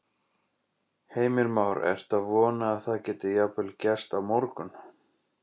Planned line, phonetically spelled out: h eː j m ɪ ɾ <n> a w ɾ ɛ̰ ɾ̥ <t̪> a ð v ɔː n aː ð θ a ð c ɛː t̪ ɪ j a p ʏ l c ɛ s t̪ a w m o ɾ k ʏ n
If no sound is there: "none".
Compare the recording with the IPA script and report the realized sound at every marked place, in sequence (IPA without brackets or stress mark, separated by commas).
m, t̪